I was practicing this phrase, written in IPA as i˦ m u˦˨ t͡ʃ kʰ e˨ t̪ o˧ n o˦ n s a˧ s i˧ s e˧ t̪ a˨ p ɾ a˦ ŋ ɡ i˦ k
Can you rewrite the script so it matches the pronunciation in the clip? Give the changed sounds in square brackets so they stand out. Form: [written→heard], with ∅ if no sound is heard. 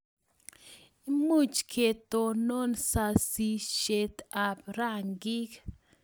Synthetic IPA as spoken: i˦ m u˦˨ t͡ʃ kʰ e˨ t̪ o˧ n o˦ n s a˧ s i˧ [s→ʃ] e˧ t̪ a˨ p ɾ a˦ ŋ ɡ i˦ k